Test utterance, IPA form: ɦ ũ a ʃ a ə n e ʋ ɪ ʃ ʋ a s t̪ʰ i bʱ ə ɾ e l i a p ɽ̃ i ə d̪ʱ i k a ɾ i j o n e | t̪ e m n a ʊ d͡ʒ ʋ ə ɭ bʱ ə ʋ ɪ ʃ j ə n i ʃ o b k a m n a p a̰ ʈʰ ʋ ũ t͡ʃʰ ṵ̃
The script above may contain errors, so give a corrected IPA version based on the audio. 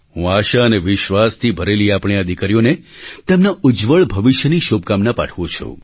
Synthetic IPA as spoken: ɦ ũ a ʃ a ə n e ʋ ɪ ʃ ʋ a s t̪ʰ i bʱ ə ɾ e l i a p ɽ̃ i ə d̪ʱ i k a ɾ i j o n e | t̪ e m n a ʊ d͡ʒ ʋ ə ɭ bʱ ə ʋ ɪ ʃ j ə n i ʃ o b k a m n a p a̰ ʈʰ ʋ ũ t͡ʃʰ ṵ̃